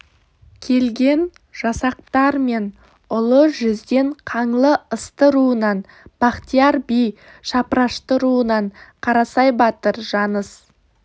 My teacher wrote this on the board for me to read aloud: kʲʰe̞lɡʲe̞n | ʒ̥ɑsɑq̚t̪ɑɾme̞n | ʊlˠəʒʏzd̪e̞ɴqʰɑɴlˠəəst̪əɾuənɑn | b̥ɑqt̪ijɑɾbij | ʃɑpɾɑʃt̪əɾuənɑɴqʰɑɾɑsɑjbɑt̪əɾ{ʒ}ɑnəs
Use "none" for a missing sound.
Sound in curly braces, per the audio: ʒ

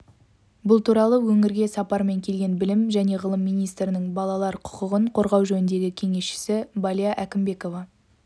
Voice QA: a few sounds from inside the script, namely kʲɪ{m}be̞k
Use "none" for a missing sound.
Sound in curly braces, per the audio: m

